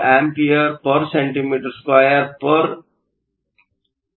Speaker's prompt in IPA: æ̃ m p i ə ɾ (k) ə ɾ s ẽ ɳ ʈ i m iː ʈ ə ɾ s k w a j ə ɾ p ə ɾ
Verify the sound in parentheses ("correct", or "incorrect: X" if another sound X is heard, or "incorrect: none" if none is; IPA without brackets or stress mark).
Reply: incorrect: p